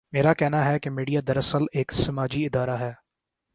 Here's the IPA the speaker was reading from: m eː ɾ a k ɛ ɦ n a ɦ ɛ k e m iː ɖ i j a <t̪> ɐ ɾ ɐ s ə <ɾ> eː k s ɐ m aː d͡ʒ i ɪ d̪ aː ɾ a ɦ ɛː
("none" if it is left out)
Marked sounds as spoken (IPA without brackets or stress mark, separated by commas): d̪, l